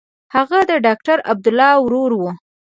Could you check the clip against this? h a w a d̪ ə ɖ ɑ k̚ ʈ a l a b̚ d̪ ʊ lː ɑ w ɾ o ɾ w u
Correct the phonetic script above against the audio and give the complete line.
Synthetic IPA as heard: h a ɣ a d̪ ə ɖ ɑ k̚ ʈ a ɾ a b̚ d̪ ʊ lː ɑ w ɾ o ɾ w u

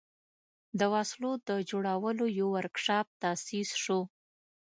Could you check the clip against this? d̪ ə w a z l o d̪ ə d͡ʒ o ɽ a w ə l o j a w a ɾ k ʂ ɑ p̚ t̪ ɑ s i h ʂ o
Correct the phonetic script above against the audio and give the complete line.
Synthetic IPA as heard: d̪ ə w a s l o d̪ ə d͡ʒ o ɽ a w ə l o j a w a ɾ k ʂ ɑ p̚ t̪ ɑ s i s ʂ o

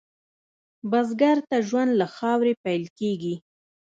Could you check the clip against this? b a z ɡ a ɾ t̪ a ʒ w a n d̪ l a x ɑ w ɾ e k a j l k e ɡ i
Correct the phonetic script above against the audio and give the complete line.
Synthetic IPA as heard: b a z ɡ a ɾ t̪ a ʒ w a n d̪ l a x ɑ w ɾ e p a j l k e ɡ i

